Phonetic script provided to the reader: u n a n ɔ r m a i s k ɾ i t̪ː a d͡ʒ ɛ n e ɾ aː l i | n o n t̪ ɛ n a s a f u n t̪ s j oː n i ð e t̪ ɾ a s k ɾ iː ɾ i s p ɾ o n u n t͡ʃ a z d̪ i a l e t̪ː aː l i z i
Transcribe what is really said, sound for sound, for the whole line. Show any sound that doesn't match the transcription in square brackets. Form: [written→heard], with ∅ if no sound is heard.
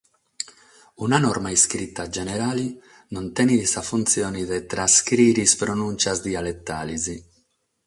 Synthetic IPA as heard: u n a n ɔ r m a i s k ɾ i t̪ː a d͡ʒ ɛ n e ɾ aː l i | n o n t̪ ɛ n [a→i] s a f u n t̪ s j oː n i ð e t̪ ɾ a s k ɾ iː ɾ i s p ɾ o n u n t͡ʃ a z d̪ i a l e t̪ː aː l i z i